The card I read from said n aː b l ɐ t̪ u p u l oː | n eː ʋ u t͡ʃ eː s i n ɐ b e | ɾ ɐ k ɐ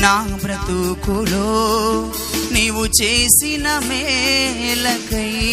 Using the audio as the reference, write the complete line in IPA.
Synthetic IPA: n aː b ɾ ɐ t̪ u k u l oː | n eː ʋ u t͡ʃ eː s i n ɐ m e | l ɐ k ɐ